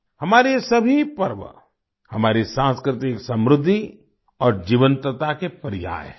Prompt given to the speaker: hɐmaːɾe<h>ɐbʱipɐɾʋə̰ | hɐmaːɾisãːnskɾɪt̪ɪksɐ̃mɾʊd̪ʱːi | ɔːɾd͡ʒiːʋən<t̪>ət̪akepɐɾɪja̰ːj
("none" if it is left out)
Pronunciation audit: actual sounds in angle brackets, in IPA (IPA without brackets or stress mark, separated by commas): s, t̪